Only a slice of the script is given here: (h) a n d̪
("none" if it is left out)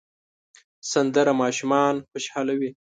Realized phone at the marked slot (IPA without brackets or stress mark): s